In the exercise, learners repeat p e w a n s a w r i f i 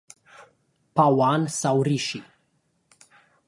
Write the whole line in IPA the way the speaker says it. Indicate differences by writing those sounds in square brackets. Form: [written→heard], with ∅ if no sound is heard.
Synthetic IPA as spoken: p [e→a] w a n s a w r i [f→ʃ] i